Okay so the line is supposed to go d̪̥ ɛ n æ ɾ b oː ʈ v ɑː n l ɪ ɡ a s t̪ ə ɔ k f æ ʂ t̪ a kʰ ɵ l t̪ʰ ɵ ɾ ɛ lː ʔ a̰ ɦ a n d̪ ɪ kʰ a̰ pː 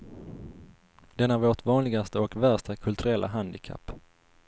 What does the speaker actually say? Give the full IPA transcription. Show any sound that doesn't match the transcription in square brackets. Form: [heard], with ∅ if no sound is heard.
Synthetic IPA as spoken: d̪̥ ɛ n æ ɾ [v] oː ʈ v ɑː n l ɪ ɡ a s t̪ ə ɔ k [v] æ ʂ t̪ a kʰ ɵ l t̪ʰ ɵ ɾ ɛ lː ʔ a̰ ɦ a n d̪ ɪ kʰ a̰ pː